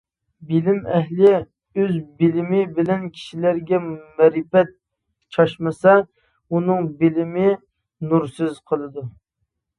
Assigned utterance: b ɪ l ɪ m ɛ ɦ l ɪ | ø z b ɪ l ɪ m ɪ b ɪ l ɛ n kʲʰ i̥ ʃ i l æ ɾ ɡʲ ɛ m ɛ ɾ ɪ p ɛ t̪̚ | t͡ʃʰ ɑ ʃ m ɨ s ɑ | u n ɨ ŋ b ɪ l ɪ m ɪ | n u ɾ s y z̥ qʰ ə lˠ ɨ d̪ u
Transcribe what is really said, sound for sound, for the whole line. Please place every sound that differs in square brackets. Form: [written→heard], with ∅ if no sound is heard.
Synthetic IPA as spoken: b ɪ l ɪ m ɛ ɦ l ɪ | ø z b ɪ l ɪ m ɪ b ɪ l ɛ n kʲʰ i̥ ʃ i l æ ɾ ɡʲ ɛ m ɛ ɾ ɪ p ɛ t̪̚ | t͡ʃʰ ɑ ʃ m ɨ s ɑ | u n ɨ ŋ b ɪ l ɪ m ɪ | n u ɾ s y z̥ qʰ ə lˠ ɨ d̪ u